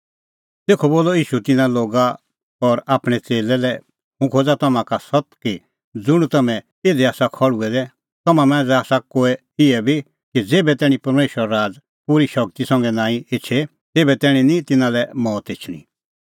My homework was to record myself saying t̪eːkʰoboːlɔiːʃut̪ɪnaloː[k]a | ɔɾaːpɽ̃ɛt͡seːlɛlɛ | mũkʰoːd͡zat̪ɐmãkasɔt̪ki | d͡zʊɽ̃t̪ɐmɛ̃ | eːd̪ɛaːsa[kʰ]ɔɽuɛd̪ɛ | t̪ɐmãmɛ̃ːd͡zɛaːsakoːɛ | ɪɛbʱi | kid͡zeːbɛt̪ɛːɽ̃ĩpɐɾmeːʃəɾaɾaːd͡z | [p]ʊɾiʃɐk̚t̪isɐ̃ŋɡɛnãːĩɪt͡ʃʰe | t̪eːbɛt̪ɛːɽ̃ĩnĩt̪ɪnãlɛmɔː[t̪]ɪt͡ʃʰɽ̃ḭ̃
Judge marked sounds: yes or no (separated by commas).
no, yes, yes, yes